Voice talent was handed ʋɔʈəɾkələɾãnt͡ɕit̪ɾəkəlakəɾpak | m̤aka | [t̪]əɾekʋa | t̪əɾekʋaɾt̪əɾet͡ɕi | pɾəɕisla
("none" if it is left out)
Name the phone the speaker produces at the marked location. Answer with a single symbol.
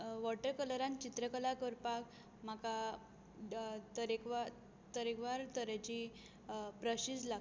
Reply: t̪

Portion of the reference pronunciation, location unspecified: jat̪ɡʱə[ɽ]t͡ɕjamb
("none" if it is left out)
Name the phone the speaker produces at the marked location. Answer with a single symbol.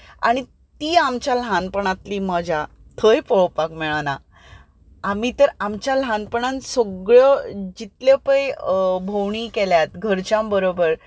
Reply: ɾ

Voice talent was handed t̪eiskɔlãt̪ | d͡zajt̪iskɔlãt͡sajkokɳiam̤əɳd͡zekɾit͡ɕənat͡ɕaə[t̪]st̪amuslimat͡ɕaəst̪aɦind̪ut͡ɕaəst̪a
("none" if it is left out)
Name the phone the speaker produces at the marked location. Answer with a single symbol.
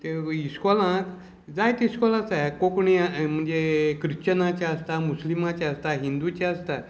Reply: none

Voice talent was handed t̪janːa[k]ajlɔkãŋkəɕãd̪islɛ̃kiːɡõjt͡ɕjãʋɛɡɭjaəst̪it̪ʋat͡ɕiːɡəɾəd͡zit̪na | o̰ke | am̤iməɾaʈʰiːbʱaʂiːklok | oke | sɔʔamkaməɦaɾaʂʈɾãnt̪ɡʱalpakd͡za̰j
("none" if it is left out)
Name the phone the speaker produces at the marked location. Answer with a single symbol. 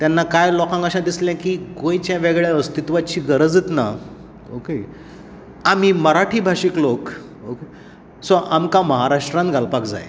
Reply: k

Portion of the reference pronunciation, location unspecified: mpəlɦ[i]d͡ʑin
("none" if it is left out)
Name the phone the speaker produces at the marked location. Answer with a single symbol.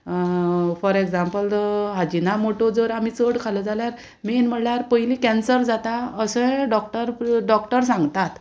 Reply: a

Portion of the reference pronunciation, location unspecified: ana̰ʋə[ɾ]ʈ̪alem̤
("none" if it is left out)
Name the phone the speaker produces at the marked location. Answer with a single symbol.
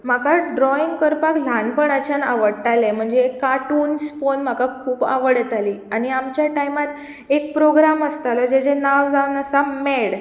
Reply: ɽ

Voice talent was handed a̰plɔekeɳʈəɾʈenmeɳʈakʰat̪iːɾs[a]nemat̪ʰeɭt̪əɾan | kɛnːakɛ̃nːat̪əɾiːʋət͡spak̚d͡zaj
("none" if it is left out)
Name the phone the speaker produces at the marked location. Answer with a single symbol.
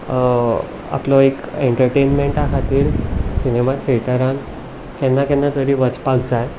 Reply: i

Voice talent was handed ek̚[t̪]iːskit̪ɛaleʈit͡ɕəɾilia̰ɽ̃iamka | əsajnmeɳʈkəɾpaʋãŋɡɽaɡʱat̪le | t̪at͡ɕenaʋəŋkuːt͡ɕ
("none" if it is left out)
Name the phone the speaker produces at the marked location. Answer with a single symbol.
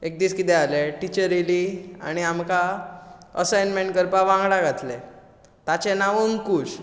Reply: d̪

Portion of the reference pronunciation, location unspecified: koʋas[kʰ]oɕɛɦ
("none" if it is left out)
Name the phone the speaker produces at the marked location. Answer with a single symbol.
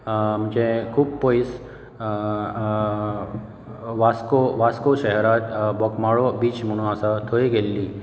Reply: k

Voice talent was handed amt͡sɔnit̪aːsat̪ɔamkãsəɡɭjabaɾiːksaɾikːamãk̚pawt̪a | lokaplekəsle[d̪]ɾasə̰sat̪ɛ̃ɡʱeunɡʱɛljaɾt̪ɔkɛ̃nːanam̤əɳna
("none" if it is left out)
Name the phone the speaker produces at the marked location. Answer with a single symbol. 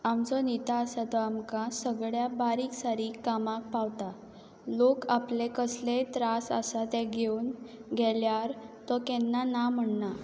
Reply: t̪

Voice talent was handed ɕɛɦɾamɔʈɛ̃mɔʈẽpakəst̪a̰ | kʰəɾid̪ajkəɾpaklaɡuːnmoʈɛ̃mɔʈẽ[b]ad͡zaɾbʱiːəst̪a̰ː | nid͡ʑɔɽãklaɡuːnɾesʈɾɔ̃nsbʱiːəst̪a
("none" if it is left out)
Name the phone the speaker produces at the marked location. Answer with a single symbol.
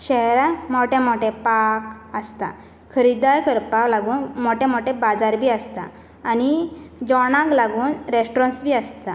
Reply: b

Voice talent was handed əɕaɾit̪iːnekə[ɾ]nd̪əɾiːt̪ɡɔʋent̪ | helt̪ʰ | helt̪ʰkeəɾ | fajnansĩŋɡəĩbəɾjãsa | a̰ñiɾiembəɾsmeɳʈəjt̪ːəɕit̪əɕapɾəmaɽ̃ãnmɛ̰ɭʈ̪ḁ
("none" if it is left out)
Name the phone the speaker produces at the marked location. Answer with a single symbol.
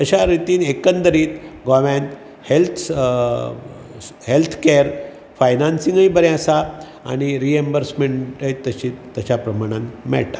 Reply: none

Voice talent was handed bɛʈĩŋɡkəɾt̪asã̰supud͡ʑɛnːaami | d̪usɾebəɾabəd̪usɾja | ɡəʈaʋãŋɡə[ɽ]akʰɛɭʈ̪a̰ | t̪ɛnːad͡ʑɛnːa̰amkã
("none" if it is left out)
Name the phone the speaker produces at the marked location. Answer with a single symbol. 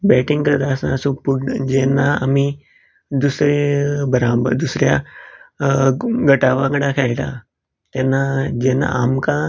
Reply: ɽ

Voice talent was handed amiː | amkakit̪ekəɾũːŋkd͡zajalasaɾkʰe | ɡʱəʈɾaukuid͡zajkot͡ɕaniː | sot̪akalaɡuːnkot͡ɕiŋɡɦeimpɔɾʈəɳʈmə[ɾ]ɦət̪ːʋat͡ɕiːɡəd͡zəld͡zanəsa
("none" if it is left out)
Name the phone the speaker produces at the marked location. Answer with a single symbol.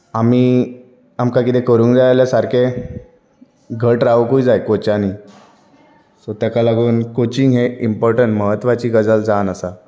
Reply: none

